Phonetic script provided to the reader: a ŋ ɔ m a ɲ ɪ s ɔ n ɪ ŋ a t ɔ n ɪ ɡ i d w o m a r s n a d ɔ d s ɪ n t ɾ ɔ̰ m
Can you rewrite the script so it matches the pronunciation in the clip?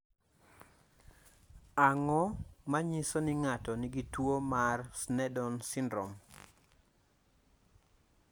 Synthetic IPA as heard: a ŋ ɔ m a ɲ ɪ s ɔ n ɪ ŋ a t ɔ n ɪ ɡ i t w o m a r s n ɛ d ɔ n s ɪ n d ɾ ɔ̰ m